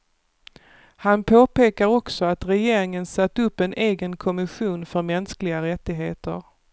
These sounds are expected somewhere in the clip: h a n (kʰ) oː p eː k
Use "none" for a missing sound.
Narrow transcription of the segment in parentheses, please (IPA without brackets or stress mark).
pʰ